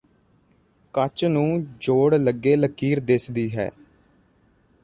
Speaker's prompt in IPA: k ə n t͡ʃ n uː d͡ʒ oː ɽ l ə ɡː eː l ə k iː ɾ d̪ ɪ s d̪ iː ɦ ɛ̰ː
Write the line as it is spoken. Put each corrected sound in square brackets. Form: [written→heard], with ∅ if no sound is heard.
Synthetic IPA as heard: k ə [n→∅] t͡ʃ n [uː→ũː] d͡ʒ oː ɽ l ə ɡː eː l ə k iː ɾ d̪ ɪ s d̪ iː ɦ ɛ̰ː